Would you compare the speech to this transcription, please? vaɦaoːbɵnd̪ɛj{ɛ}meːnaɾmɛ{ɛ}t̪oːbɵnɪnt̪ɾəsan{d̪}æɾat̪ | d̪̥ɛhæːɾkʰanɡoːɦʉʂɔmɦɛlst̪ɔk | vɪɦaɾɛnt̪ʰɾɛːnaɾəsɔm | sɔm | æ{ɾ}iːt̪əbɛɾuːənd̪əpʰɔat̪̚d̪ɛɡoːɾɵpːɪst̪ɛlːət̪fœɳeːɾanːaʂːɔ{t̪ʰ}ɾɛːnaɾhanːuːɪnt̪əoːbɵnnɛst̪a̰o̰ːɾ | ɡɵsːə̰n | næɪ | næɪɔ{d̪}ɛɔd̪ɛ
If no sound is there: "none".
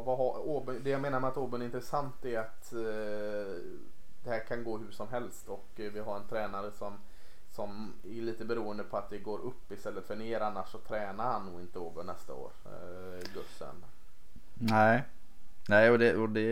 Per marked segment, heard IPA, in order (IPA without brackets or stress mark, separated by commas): a, a, t̪, ɭ, t̪ʰ, d̪